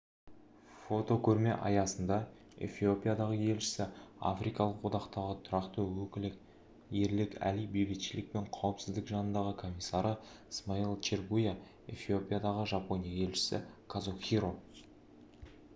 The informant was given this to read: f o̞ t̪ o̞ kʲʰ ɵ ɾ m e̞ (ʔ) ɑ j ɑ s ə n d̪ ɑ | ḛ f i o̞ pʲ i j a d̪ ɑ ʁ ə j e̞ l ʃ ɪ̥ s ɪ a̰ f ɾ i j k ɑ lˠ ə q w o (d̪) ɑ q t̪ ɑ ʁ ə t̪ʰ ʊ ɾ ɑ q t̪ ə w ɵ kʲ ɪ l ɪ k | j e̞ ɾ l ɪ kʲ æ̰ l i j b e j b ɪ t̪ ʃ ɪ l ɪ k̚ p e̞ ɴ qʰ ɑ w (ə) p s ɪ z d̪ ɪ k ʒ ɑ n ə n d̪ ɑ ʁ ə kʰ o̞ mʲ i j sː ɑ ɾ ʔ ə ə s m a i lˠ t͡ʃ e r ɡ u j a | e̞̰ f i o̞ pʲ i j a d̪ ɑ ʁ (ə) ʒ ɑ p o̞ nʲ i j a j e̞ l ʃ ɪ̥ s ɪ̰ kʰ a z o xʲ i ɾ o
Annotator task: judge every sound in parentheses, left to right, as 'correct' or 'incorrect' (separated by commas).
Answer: correct, correct, correct, correct